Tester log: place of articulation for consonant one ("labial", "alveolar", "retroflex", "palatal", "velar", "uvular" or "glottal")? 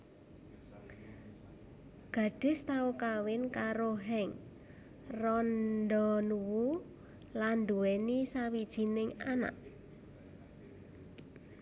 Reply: velar